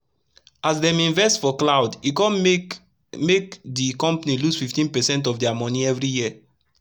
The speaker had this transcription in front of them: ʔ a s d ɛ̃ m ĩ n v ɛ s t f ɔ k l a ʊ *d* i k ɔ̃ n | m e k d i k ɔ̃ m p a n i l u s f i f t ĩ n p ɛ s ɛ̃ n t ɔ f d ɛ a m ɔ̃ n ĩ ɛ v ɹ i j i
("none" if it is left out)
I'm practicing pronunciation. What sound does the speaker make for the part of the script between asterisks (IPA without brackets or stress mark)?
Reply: d